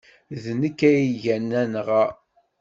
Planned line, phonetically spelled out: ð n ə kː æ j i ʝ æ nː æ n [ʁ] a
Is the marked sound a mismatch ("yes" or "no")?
no